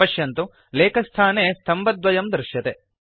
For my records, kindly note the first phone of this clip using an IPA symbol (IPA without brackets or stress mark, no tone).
ɐ